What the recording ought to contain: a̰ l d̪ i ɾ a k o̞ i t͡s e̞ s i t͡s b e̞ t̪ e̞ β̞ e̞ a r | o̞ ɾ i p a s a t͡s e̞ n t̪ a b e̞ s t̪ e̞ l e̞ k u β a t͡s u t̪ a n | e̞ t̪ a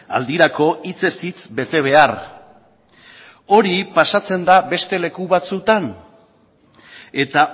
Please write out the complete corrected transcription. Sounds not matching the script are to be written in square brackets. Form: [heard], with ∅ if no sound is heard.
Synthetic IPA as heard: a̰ l d̪ i ɾ a k o̞ i t͡s e̞ s i t͡s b e̞ t̪ e̞ β̞ e̞ a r | o̞ ɾ i p a s a t͡s e̞ n [d̪] a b e̞ s t̪ e̞ l e̞ k u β a t͡s u t̪ a n | e̞ t̪ a

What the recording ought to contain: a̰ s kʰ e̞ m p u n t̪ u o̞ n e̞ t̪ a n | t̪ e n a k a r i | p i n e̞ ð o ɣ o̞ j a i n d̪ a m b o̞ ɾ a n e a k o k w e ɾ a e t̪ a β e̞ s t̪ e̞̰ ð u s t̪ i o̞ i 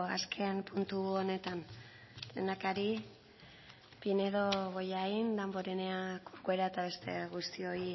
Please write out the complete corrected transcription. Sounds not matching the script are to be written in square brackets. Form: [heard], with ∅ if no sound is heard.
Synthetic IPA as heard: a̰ s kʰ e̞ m p u n t̪ u o̞ n e̞ t̪ a n | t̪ e n a k a [ɾ] i | p i n e̞ ð o ɣ o̞ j a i n d̪ a m b o̞ ɾ [e] n e a k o k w e ɾ a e t̪ a β e̞ s t̪ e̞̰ [ɣ] u s t̪ i o̞ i

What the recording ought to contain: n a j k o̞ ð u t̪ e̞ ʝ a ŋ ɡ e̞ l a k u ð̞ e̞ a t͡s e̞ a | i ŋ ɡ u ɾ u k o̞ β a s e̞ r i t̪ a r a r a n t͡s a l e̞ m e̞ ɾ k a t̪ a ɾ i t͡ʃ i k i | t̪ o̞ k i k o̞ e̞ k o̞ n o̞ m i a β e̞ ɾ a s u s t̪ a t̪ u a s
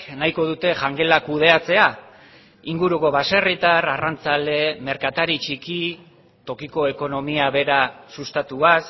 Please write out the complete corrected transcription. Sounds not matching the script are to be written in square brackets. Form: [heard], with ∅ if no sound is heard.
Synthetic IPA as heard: n a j k o̞ ð u t̪ e̞ ʝ a ŋ ɡ e̞ l a k u ð̞ e̞ a t͡s e̞ a | i ŋ ɡ u ɾ u k o̞ β a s e̞ r i t̪ a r a r a n t͡s a l e̞ m e̞ ɾ k a t̪ a ɾ i t͡ʃ i k i | t̪ o̞ k i k o̞ e̞ k o̞ n o̞ m i a β e̞ ɾ a s u s t̪ a t̪ u a s

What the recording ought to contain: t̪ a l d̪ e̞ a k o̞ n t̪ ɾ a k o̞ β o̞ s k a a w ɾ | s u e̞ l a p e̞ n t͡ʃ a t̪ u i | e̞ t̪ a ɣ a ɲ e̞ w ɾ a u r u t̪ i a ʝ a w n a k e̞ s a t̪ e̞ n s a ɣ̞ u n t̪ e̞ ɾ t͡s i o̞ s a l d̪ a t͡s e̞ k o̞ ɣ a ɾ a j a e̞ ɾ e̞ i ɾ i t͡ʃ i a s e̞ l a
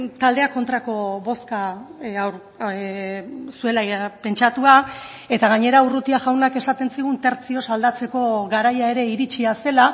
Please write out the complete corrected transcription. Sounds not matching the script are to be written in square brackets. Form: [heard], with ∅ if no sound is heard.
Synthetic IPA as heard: t̪ a l d̪ e̞ a k o̞ n t̪ ɾ a k o̞ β o̞ s k a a w ɾ | s u e̞ l a p e̞ n t͡ʃ a t̪ u [a] | e̞ t̪ a ɣ a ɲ e̞ [∅] ɾ a u r u t̪ i a ʝ a w n a k e̞ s a t̪ e̞ n s [i] ɣ̞ u n t̪ e̞ ɾ t͡s i o̞ s a l d̪ a t͡s e̞ k o̞ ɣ a ɾ a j a e̞ ɾ e̞ i ɾ i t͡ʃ i a s e̞ l a

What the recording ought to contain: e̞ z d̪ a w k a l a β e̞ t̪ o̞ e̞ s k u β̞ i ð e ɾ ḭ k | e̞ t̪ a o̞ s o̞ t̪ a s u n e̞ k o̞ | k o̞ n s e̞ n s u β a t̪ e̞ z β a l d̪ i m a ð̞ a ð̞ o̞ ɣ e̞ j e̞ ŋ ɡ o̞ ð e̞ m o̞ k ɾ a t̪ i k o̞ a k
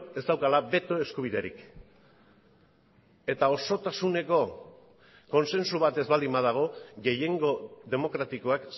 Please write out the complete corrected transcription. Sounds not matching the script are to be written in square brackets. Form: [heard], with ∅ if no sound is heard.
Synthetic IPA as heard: e̞ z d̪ a w k a l a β e̞ t̪ o̞ e̞ s k u β̞ i ð e ɾ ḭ k | e̞ t̪ a o̞ s o̞ t̪ a s u n e̞ k o̞ | k o̞ n s e̞ n s u β a t̪ e̞ z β a l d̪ i m a ð̞ a [ɣ̞] o̞ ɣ e̞ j e̞ ŋ ɡ o̞ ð e̞ m o̞ k ɾ a t̪ i k o̞ a k

